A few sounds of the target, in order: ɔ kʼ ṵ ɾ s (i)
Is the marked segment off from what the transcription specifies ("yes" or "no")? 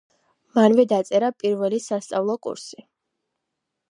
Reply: no